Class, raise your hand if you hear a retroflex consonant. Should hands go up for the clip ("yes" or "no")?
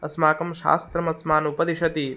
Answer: no